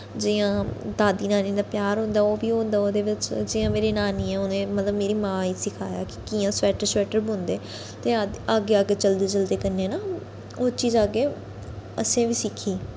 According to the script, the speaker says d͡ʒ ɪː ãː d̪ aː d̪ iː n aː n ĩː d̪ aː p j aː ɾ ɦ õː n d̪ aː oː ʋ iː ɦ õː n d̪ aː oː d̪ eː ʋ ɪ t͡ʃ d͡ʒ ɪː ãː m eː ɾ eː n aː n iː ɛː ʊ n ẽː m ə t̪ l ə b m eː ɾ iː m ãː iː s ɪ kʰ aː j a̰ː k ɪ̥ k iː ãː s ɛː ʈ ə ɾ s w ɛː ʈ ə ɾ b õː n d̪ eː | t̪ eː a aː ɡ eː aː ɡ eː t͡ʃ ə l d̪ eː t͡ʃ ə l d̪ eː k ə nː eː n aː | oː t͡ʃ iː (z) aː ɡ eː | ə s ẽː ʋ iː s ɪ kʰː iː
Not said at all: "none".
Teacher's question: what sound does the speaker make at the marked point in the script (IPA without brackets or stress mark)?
z